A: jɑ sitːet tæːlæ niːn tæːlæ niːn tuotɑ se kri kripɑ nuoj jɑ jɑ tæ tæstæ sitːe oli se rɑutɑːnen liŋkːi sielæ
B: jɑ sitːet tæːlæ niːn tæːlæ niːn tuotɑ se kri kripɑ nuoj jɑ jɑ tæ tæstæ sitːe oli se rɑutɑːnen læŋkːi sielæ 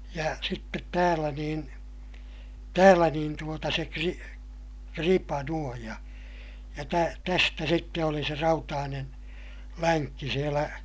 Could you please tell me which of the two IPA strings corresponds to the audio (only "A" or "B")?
B